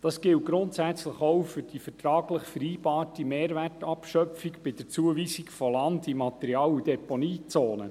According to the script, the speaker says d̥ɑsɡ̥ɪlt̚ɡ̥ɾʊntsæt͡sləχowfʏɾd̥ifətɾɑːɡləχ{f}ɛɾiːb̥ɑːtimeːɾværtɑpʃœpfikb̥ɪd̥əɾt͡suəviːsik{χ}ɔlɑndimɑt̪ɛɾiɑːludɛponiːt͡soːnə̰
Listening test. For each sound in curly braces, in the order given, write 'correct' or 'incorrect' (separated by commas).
correct, incorrect